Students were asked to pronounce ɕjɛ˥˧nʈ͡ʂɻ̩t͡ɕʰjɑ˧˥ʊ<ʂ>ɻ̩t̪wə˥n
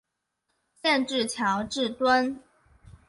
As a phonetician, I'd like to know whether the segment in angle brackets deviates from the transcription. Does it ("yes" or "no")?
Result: yes